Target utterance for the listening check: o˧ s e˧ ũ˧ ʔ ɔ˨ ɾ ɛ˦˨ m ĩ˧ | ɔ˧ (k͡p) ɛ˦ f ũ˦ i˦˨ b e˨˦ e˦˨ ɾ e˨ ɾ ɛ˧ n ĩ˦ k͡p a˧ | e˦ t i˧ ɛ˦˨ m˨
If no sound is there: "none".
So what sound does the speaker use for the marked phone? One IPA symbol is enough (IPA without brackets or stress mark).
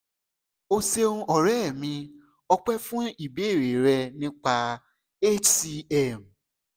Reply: k͡p